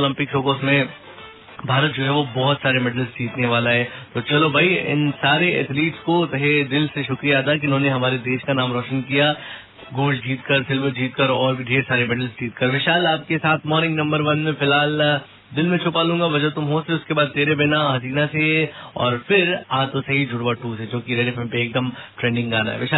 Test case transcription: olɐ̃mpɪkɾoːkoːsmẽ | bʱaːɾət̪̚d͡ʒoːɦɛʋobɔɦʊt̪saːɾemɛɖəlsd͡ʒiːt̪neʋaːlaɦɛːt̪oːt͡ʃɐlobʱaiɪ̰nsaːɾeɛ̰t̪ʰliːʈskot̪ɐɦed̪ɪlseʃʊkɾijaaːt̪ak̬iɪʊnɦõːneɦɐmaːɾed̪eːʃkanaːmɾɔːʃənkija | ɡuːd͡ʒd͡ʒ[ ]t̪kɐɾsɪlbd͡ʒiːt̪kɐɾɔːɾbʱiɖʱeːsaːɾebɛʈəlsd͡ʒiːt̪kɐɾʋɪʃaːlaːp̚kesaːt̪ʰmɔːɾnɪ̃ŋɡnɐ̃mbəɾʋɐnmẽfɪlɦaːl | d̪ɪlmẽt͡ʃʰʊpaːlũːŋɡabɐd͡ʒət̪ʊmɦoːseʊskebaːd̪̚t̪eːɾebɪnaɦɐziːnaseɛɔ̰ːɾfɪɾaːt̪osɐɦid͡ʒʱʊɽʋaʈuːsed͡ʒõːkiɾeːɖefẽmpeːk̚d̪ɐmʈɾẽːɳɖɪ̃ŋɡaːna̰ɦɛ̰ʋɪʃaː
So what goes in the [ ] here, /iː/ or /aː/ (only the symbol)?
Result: iː